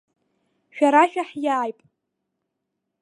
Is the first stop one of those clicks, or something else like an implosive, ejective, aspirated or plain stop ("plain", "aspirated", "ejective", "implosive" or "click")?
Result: ejective